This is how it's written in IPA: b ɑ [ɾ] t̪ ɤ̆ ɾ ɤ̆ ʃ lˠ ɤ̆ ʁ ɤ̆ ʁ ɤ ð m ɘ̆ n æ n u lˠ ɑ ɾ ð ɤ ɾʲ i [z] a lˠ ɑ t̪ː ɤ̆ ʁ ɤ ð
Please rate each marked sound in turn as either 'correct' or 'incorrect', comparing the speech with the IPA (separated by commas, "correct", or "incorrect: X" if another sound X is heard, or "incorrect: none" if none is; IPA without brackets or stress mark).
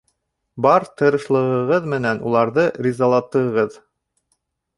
correct, correct